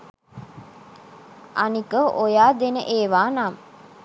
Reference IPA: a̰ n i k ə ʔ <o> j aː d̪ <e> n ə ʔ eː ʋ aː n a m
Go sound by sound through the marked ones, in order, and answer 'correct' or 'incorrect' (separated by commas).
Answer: correct, correct